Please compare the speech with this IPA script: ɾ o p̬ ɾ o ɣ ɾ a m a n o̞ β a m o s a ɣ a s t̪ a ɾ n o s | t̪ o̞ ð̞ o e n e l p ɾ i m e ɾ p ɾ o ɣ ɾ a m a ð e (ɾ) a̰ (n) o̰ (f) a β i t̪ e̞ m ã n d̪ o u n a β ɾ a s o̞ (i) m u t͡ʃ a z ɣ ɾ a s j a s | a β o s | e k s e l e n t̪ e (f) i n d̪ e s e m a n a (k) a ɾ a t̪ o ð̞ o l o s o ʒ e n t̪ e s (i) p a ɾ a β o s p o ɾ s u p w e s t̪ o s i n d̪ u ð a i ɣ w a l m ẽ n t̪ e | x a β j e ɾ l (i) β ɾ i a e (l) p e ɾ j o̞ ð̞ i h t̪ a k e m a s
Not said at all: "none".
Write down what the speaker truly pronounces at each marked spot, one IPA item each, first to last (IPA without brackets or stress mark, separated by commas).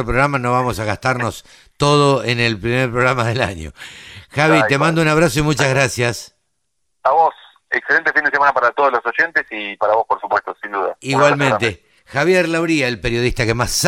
l, ɲ, x, i, f, p, i, a, l